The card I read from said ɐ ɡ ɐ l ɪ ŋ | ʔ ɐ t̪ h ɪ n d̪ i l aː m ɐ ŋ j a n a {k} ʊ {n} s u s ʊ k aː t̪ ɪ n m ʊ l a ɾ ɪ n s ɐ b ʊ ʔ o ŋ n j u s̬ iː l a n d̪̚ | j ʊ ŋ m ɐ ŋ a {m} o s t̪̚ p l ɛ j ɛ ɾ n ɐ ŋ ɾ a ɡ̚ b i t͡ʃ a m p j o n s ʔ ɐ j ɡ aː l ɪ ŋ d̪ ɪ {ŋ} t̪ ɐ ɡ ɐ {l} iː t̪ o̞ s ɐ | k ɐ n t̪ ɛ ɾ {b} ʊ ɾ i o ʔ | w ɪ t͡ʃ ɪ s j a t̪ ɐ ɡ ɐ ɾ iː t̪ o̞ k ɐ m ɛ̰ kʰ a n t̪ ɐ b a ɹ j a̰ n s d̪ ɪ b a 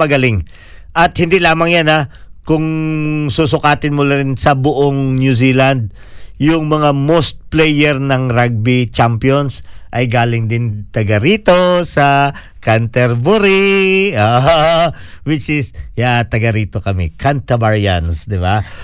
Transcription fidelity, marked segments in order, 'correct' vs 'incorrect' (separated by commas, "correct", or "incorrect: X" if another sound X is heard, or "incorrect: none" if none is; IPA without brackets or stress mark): correct, incorrect: ŋ, correct, incorrect: n, incorrect: ɾ, correct